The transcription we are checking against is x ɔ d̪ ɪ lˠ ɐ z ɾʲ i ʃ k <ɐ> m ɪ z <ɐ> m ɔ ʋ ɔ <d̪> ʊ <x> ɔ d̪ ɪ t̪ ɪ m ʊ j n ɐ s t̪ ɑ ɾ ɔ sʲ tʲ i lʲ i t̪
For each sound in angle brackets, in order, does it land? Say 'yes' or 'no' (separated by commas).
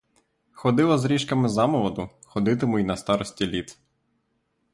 yes, no, yes, yes